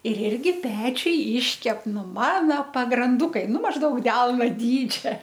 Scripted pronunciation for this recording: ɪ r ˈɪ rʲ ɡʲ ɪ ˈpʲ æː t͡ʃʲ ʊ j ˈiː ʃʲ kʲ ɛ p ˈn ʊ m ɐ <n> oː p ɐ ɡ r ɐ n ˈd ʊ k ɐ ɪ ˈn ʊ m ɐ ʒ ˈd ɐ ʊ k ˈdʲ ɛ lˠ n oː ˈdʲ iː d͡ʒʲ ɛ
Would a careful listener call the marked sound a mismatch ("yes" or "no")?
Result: no